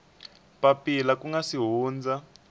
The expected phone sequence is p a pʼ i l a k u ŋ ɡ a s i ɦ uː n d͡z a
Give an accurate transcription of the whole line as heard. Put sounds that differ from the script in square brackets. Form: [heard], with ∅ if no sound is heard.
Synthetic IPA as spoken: p a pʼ i l a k u ŋ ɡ a s i ɦ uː n d͡z a